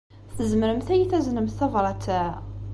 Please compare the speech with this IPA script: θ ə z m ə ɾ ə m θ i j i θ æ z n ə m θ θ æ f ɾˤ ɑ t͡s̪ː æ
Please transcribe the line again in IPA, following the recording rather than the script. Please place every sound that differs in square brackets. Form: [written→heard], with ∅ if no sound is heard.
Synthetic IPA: θ ə z m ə ɾ ə m θ [i→æ] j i θ æ z n ə m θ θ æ [f→v] ɾˤ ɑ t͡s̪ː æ